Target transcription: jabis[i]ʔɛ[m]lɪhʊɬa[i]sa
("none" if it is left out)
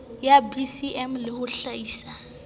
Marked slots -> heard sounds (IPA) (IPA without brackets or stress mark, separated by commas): i, m, iː